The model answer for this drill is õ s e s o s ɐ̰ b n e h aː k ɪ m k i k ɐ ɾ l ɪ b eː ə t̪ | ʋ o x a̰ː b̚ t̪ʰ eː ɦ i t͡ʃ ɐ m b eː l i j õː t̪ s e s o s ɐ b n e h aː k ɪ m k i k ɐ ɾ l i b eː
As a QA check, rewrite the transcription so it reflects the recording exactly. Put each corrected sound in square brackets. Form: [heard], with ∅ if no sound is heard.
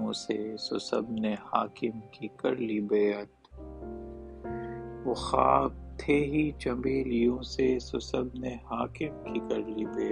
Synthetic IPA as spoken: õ s e s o s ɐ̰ b n e h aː k ɪ m k i k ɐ ɾ l [i] b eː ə t̪ | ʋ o x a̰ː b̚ t̪ʰ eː ɦ i t͡ʃ ɐ m b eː l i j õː [∅] s e s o s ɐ b n e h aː k ɪ m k i k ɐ ɾ l i b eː